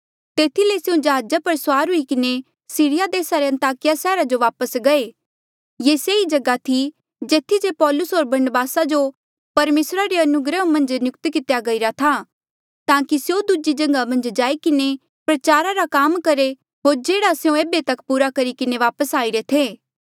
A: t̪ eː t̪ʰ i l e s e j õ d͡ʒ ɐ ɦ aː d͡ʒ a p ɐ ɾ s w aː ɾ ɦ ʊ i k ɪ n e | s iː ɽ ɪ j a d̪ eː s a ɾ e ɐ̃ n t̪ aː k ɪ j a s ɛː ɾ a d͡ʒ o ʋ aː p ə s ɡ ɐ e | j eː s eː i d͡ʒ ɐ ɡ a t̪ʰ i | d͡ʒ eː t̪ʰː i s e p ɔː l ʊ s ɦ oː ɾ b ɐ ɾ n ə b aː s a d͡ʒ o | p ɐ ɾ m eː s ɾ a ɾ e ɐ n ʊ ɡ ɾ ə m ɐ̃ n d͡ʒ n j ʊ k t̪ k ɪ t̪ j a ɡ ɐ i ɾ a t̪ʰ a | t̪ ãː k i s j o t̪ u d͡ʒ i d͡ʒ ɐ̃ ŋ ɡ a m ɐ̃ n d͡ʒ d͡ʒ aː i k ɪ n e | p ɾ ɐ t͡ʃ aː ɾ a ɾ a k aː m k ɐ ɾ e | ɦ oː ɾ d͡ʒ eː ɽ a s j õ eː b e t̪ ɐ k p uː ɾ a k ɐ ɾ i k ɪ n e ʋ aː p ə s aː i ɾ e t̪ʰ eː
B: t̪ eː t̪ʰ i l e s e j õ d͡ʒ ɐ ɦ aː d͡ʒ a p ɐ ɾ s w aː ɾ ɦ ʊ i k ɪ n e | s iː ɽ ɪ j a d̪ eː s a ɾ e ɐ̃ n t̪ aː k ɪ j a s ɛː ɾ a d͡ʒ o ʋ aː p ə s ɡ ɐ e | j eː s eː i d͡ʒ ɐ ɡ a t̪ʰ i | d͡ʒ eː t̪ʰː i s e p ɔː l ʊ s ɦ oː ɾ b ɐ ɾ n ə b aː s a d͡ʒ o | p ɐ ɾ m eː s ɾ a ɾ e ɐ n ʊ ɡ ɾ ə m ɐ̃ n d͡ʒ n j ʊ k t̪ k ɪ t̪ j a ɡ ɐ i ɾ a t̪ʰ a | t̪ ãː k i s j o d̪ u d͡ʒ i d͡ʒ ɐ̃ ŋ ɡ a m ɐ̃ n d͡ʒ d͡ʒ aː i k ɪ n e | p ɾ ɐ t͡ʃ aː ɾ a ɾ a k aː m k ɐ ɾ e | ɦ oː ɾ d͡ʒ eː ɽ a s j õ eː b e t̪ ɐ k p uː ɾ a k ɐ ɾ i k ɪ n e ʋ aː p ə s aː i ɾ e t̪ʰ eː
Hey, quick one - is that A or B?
B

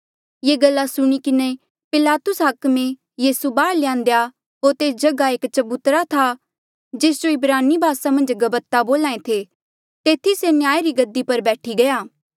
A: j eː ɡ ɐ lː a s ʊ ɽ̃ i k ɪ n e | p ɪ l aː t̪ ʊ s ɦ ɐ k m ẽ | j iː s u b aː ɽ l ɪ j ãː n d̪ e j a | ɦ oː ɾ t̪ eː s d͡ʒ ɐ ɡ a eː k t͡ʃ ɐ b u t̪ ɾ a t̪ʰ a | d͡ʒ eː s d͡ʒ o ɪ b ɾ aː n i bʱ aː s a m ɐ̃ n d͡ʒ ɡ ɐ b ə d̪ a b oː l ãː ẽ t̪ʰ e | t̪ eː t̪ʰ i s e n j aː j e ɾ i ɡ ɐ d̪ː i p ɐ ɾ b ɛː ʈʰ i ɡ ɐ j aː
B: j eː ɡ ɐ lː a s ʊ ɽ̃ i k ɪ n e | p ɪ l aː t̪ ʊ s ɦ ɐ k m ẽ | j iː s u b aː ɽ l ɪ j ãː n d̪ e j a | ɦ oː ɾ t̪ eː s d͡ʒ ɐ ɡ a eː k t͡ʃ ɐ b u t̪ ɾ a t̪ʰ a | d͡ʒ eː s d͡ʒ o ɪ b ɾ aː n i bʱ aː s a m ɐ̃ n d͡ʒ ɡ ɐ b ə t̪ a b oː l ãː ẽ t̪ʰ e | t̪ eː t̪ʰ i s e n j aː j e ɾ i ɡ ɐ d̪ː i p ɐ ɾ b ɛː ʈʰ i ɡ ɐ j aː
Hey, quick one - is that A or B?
B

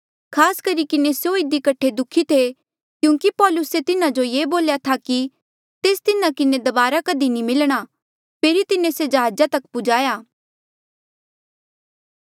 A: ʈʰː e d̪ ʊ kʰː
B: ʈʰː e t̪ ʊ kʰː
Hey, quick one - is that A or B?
A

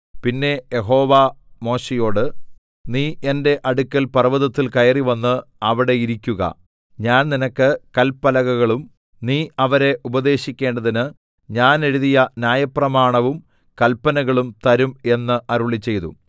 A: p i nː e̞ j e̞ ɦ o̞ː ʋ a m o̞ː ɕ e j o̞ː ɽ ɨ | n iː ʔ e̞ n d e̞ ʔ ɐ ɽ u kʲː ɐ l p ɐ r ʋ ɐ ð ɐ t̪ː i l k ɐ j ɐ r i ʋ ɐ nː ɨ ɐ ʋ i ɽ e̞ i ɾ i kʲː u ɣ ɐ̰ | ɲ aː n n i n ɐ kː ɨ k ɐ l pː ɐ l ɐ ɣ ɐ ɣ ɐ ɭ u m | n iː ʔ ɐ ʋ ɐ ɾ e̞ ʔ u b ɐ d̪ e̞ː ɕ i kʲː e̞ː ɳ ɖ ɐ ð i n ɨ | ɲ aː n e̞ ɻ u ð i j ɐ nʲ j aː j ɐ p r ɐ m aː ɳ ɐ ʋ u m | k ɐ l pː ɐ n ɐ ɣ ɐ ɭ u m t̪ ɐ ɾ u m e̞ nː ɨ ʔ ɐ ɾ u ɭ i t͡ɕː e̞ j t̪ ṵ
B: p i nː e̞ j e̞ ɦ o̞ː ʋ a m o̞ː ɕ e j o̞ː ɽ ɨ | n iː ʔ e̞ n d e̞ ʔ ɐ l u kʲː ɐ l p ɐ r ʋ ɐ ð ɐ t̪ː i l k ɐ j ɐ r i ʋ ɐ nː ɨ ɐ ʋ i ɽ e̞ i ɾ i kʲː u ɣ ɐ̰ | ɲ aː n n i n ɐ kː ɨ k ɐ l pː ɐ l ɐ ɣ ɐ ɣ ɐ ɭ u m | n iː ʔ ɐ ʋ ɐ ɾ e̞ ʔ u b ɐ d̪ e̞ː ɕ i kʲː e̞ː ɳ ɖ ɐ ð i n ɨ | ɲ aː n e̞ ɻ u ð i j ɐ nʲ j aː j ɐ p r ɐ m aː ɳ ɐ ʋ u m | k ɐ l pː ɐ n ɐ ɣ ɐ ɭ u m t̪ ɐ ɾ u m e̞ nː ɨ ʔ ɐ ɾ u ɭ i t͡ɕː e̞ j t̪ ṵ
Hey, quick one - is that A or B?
A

